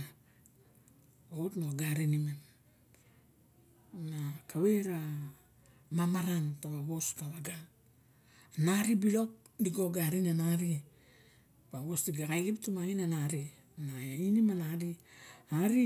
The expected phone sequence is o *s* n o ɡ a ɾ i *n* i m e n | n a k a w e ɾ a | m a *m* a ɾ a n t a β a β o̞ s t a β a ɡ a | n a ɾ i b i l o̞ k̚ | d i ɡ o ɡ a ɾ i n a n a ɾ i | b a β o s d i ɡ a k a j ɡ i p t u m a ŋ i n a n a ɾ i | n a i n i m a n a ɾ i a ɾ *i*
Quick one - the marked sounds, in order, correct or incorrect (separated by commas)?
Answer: incorrect, correct, correct, correct